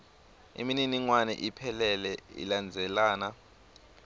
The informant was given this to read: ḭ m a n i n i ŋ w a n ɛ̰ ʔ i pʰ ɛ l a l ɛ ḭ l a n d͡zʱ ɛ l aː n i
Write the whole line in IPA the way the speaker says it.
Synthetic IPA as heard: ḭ m i n i n i ŋ w a n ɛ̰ ʔ i pʰ ɛ l ɛ l ɛ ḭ l a n d͡zʱ ɛ l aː n a